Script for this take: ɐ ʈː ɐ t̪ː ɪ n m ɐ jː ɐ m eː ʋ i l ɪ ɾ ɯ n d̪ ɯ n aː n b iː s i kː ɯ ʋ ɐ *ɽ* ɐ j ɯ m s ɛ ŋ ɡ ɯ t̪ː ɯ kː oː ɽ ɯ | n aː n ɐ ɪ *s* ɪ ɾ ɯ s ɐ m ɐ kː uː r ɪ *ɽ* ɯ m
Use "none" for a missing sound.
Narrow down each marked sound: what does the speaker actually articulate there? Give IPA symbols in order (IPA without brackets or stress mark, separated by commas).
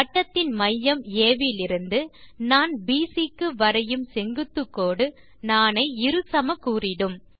ɾ, none, ɽ